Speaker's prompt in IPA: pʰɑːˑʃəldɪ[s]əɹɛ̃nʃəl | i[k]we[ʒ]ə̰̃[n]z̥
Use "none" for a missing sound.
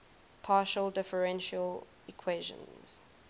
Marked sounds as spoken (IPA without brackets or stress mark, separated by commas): f, kʰ, ʒ, n